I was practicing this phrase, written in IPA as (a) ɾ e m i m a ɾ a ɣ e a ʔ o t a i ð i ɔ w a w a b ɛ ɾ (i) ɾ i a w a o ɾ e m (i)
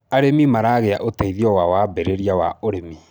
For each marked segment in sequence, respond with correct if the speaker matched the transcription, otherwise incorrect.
correct, incorrect: e, correct

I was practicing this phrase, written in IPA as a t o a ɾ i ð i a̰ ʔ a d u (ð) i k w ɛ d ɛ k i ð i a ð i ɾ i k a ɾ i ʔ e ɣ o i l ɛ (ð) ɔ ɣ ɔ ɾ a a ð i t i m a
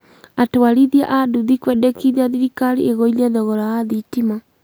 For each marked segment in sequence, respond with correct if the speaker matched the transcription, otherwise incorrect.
correct, correct

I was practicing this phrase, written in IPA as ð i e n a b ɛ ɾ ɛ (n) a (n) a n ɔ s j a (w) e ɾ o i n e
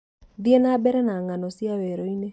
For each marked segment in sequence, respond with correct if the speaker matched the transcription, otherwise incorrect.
correct, incorrect: ŋ, correct

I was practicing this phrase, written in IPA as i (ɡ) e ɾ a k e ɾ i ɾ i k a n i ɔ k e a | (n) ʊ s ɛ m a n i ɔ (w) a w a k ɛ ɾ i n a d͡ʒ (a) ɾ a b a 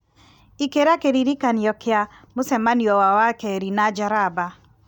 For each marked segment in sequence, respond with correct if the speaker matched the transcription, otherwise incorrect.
incorrect: k, incorrect: m, correct, correct

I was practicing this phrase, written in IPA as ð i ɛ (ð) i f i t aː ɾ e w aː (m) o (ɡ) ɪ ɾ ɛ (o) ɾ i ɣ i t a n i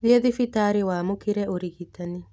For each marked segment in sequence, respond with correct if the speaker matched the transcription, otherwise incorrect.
correct, correct, incorrect: k, correct

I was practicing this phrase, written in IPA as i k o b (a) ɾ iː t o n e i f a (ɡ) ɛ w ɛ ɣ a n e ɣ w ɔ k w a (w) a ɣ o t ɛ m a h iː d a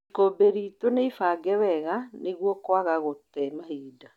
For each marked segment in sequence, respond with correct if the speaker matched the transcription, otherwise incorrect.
incorrect: e, correct, incorrect: ɣ

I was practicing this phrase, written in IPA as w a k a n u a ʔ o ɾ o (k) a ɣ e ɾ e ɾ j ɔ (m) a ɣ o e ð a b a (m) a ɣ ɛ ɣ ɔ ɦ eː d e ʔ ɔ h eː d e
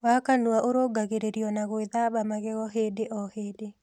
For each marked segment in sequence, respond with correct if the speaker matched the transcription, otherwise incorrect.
incorrect: ɡ, incorrect: n, correct

